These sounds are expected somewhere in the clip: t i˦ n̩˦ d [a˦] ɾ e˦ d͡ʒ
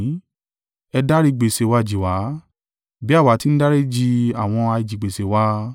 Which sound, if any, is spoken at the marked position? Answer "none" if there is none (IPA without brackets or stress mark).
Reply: a˦